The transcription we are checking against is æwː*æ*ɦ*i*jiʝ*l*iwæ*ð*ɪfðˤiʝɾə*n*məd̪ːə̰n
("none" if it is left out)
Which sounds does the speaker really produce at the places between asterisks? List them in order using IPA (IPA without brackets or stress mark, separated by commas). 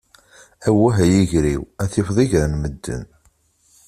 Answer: æ, æ, ɾ, θ, n